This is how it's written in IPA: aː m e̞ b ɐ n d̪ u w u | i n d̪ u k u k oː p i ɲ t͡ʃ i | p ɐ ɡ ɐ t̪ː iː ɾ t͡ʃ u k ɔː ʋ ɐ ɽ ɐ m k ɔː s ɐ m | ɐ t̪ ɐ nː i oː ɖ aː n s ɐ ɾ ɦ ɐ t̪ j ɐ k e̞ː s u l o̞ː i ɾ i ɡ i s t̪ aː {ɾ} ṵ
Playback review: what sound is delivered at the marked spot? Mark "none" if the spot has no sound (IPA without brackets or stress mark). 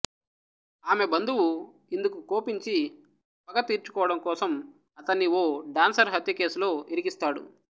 ɽ